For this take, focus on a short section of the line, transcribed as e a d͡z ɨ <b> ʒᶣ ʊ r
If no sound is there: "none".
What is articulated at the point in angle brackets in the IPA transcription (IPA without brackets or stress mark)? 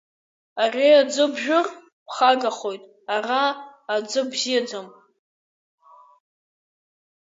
b